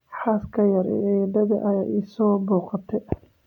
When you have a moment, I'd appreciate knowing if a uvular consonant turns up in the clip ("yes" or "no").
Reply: yes